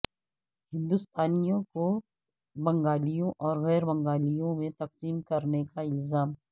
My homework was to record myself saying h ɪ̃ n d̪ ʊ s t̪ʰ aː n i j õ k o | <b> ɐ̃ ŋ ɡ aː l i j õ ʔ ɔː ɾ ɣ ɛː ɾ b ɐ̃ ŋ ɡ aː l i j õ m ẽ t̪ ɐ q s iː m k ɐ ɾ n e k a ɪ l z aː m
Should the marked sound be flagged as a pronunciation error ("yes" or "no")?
no